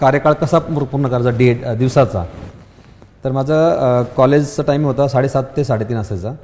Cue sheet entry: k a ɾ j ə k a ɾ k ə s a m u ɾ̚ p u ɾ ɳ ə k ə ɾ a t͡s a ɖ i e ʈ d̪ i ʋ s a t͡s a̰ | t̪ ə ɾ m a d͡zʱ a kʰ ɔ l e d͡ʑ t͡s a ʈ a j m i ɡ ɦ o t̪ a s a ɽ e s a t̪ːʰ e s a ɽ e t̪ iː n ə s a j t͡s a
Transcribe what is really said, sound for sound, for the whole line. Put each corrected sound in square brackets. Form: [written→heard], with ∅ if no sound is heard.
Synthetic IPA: k a ɾ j ə k a [ɾ→ɭ] k ə s a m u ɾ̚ p u ɾ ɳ ə k ə ɾ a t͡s a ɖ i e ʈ d̪ i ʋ s a t͡s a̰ | t̪ ə ɾ m a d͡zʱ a [kʰ→k] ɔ l e d͡ʑ t͡s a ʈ a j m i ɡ ɦ o t̪ a s a ɽ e s a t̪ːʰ e s a ɽ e t̪ iː n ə s a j t͡s a